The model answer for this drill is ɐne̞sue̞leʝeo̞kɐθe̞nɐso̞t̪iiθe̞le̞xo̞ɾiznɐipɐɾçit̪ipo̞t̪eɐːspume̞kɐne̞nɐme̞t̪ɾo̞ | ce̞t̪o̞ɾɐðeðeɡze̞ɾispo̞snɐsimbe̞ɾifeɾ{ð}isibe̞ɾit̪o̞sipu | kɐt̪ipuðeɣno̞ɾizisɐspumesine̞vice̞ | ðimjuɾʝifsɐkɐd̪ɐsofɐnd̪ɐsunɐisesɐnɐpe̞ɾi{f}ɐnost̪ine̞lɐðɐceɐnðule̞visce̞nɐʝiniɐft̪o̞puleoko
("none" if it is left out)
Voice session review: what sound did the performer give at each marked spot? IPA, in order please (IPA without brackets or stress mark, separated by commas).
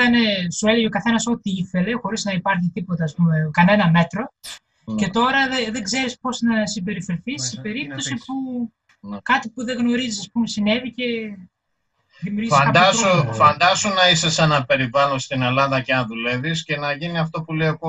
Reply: θ, v